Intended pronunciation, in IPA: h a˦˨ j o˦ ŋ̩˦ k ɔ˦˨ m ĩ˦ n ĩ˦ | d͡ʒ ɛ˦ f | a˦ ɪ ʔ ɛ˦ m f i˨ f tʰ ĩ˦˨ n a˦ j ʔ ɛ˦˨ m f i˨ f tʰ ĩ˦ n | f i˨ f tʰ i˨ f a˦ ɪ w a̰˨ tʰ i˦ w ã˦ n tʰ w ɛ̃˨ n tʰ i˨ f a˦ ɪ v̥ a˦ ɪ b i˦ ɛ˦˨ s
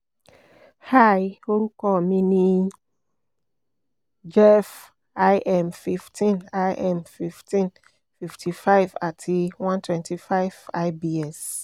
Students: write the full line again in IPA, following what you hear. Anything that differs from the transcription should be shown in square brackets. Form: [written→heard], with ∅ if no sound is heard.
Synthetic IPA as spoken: h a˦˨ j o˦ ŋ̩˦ k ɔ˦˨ m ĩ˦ n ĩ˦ | d͡ʒ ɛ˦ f | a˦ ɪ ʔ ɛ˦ m f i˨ f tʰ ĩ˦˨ n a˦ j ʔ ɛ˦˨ m f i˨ f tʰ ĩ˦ n | f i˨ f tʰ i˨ f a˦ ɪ [w→v] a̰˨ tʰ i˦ w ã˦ n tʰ w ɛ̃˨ n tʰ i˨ f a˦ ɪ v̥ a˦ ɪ b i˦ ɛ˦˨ s